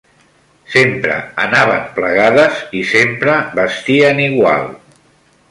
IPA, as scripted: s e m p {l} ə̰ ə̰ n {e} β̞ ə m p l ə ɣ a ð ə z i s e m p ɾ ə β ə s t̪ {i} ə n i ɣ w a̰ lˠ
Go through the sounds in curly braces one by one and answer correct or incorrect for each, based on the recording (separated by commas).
incorrect, incorrect, correct